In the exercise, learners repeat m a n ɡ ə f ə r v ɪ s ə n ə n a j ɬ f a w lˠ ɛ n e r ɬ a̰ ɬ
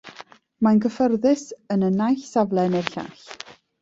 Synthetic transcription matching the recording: m a n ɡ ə f ə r ð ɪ s ə n ə n a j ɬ s a v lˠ ɛ n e r ɬ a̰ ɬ